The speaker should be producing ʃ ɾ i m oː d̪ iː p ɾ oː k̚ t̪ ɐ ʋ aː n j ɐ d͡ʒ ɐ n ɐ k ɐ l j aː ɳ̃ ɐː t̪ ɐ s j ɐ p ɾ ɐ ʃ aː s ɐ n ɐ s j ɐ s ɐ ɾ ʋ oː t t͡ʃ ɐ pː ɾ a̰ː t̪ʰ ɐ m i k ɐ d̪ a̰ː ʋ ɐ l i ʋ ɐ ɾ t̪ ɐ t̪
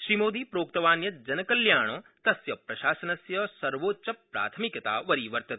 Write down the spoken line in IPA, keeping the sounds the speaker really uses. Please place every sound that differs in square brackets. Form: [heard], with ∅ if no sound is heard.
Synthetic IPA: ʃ ɾ i m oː d̪ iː p ɾ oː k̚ t̪ ɐ ʋ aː n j ɐ d͡ʒ ɐ n ɐ k ɐ l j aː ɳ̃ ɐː t̪ ɐ s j ɐ p ɾ ɐ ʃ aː s ɐ n ɐ s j ɐ s ɐ ɾ ʋ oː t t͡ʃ ɐ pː ɾ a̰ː t̪ʰ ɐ m i k ɐ [t̪] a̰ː ʋ ɐ [ɾ] i ʋ ɐ ɾ t̪ ɐ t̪

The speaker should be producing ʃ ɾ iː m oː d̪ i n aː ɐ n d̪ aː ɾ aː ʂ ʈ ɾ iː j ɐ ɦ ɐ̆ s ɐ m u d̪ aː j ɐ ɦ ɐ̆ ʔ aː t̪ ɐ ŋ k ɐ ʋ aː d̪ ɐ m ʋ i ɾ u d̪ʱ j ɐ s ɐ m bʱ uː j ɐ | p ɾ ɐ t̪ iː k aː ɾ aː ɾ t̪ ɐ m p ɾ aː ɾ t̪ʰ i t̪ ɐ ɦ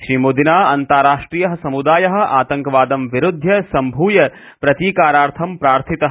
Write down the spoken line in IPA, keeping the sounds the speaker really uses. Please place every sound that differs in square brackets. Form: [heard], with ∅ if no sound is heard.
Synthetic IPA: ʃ ɾ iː m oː d̪ i n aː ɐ n [t̪] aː ɾ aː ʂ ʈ ɾ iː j ɐ ɦ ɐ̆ s ɐ m u d̪ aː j ɐ ɦ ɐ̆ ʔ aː t̪ ɐ ŋ k ɐ ʋ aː d̪ ɐ m ʋ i ɾ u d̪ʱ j ɐ s ɐ m bʱ uː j ɐ | p ɾ ɐ t̪ iː k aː ɾ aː ɾ [t̪ʰ] ɐ m p ɾ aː ɾ t̪ʰ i t̪ ɐ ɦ

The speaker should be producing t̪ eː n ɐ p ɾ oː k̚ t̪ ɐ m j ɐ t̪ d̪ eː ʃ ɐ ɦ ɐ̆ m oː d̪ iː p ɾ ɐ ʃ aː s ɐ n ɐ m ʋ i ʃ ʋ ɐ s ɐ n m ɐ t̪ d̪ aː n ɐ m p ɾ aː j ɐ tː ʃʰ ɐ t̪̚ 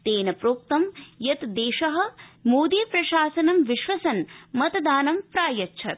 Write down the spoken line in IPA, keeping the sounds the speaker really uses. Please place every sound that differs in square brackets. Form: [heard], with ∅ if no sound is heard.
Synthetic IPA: t̪ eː n ɐ p ɾ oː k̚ t̪ ɐ m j ɐ t̪ d̪ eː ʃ ɐ ɦ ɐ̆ m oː d̪ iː p ɾ ɐ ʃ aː s ɐ n ɐ m ʋ i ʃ ʋ ɐ s ɐ n m ɐ t̪ d̪ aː n ɐ m p ɾ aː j ɐ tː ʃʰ ɐ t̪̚

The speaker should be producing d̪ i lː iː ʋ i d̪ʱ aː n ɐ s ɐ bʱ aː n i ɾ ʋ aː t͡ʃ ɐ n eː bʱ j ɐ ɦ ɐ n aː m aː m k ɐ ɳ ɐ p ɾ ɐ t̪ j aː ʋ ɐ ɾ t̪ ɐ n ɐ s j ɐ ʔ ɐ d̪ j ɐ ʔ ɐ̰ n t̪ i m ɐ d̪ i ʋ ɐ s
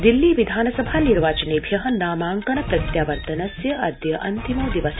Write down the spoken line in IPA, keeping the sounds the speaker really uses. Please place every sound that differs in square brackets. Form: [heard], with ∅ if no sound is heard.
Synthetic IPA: d̪ i lː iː ʋ i d̪ʱ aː n ɐ s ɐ bʱ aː n i ɾ ʋ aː t͡ʃ ɐ n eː bʱ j ɐ ɦ ɐ n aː m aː [ŋ] k ɐ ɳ ɐ p ɾ ɐ t̪ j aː ʋ ɐ ɾ t̪ ɐ n ɐ s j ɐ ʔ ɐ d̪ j ɐ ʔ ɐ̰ n t̪ i m ɐ d̪ i ʋ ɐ s

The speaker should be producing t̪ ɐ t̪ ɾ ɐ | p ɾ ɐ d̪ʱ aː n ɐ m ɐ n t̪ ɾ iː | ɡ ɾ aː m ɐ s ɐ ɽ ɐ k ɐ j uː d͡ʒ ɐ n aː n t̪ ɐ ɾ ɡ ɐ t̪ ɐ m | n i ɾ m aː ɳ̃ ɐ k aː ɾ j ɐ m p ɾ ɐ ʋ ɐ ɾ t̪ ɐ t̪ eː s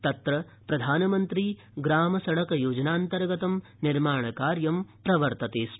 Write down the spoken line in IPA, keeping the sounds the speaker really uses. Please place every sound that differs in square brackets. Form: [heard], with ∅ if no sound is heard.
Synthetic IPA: t̪ ɐ t̪ ɾ ɐ | p ɾ ɐ d̪ʱ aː n ɐ m ɐ n t̪ ɾ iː | ɡ ɾ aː m ɐ s ɐ ɽ ɐ k ɐ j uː d͡ʒ ɐ n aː n t̪ ɐ ɾ ɡ ɐ t̪ ɐ m | n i ɾ m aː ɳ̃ ɐ k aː ɾ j ɐ m p ɾ ɐ ʋ ɐ ɾ t̪ ɐ t̪ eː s

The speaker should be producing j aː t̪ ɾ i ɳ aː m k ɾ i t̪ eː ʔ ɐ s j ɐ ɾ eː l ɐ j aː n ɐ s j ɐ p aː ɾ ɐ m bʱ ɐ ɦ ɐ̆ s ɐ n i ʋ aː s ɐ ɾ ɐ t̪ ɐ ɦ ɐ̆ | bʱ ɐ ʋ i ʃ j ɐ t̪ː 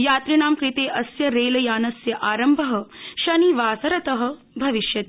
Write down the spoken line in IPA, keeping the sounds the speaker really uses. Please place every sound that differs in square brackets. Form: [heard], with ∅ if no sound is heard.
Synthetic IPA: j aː t̪ ɾ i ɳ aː m k ɾ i t̪ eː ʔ ɐ s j ɐ ɾ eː l ɐ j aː n ɐ s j ɐ [ʔ] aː ɾ ɐ m bʱ ɐ ɦ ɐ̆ [ʃ] ɐ n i ʋ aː s ɐ ɾ ɐ t̪ ɐ ɦ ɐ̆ | bʱ ɐ ʋ i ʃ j ɐ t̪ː

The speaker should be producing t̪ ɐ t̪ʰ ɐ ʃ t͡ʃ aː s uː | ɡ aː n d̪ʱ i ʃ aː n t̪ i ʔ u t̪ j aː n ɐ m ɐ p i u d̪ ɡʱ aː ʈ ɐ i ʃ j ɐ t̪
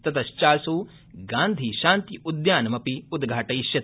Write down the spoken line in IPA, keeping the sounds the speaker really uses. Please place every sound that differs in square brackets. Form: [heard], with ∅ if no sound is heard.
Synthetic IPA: t̪ ɐ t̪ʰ ɐ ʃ t͡ʃ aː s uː | ɡ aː n d̪ʱ i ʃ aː n t̪ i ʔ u [d̪] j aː n ɐ m ɐ p i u d̪ ɡʱ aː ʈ ɐ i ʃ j ɐ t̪

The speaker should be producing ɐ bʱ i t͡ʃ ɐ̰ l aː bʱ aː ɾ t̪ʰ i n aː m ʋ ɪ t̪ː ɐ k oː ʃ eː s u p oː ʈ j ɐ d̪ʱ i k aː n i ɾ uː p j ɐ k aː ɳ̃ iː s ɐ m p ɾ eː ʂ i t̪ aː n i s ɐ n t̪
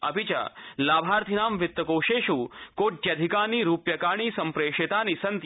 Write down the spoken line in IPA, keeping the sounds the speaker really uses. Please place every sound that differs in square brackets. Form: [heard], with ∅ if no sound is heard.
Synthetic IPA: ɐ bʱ i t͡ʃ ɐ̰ l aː bʱ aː ɾ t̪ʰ i n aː m ʋ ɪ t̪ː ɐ k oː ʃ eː [ʃ] u [k] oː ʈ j ɐ d̪ʱ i k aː n i ɾ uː p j ɐ k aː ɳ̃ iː s ɐ m p ɾ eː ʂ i t̪ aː n i s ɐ n t̪

